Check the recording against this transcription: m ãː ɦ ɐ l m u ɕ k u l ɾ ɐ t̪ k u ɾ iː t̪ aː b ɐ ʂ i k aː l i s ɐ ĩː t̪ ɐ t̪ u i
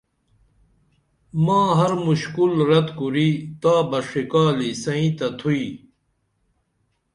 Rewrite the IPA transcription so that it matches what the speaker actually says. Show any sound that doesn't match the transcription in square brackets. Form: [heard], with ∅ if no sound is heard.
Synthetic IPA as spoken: m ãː ɦ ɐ [ɾ] m u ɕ k u l ɾ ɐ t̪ k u ɾ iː t̪ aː b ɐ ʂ i k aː l i s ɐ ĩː t̪ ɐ [t̪ʰ] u i